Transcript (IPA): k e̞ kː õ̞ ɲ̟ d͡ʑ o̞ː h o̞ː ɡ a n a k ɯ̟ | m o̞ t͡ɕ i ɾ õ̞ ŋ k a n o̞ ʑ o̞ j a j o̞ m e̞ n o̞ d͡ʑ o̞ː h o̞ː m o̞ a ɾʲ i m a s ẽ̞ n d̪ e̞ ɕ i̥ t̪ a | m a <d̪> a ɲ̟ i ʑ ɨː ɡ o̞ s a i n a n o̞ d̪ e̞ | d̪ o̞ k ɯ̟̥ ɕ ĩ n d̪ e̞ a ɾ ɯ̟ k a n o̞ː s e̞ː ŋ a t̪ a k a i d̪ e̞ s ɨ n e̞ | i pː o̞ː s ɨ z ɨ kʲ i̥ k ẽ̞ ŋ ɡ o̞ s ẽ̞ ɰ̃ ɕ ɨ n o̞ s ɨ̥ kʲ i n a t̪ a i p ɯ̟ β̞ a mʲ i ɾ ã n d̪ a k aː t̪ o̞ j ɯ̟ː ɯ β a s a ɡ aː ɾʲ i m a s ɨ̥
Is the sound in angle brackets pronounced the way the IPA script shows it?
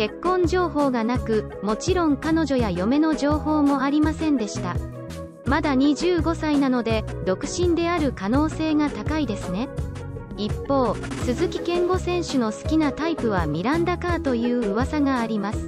yes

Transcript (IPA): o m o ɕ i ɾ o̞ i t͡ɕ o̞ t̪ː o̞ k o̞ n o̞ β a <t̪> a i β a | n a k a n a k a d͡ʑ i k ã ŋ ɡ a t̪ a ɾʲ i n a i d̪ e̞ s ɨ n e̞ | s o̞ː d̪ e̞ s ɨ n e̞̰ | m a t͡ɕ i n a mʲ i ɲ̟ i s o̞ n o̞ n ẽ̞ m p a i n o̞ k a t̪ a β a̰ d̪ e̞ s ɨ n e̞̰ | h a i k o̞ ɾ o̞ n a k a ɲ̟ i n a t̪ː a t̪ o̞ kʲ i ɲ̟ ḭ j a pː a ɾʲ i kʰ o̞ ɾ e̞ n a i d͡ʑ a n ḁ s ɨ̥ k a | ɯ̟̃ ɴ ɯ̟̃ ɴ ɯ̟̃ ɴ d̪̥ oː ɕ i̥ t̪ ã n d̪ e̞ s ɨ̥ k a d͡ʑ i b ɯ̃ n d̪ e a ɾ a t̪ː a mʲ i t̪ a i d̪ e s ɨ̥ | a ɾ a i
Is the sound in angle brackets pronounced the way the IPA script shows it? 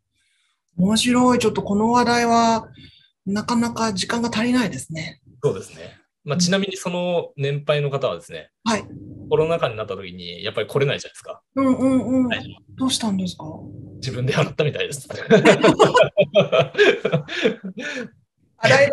no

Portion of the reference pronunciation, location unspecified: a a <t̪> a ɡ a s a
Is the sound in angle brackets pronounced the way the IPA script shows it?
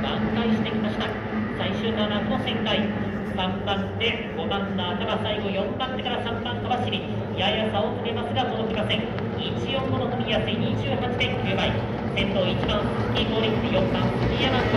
yes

